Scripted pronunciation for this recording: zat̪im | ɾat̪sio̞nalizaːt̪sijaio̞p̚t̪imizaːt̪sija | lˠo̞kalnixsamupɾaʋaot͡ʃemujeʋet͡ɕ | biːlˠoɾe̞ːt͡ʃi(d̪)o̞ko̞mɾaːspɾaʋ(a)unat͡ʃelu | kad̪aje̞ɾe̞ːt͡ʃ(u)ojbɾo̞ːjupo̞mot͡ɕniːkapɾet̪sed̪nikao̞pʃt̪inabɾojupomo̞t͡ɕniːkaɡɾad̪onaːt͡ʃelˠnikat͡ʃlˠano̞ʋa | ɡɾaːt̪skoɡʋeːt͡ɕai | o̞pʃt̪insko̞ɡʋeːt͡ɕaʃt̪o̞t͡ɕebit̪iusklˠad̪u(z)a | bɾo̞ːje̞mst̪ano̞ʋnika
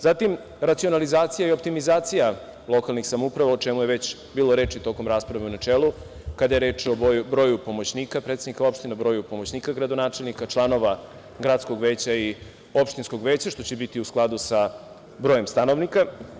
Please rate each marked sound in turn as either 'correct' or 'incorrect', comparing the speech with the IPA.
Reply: incorrect: t̪, incorrect: e, incorrect: o, incorrect: s

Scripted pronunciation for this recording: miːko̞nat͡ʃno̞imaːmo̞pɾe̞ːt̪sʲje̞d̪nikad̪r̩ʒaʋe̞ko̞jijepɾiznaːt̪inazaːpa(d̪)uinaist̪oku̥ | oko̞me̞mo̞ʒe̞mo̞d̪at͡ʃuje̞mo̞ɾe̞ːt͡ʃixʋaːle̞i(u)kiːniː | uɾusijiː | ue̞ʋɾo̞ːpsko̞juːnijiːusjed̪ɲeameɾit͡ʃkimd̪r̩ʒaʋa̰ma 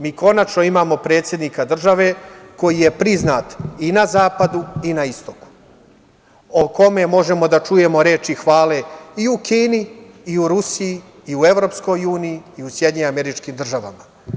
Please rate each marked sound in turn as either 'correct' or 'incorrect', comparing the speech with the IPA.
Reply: correct, correct

